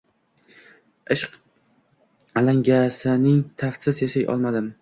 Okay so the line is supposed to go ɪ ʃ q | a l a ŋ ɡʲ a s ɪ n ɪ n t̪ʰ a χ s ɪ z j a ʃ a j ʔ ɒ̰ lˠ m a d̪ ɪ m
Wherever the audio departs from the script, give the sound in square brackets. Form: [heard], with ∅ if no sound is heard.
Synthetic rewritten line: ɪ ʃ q | a l a ŋ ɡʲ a s ɪ n ɪ [ŋ] t̪ʰ a [f] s ɪ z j a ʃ a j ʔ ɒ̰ lˠ m a d̪ ɪ m